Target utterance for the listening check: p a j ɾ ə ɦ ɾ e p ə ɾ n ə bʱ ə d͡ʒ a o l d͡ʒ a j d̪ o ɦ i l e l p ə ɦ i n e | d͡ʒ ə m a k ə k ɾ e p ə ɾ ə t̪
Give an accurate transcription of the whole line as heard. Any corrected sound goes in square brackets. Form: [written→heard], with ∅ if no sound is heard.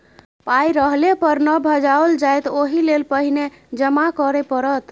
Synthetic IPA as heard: p a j ɾ ə ɦ [ɾ→l] e p ə ɾ n ə bʱ ə d͡ʒ a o l d͡ʒ a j [d̪→t̪] o ɦ i l e l p ə ɦ i n e | d͡ʒ ə m a k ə [k→∅] ɾ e p ə ɾ ə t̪